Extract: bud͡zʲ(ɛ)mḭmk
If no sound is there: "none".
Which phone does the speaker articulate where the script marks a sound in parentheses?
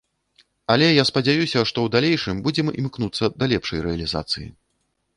ɛ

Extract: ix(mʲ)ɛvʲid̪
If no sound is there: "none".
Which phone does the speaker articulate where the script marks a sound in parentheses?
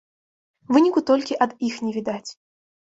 nʲ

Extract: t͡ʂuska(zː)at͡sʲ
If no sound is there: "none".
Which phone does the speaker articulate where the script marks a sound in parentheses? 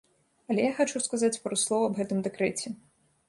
z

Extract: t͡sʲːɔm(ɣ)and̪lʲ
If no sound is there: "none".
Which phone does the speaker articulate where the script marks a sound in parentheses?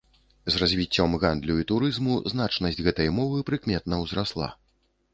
ɣ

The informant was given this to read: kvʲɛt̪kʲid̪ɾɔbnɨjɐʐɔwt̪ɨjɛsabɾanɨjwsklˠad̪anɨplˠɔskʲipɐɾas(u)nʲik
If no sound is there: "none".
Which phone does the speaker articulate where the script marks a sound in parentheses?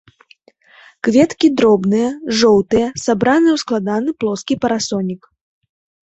ɔ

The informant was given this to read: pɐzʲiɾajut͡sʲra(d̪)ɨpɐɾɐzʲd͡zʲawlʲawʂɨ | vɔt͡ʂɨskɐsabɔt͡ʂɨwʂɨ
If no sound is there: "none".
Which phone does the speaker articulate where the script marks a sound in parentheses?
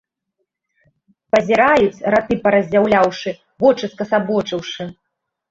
t̪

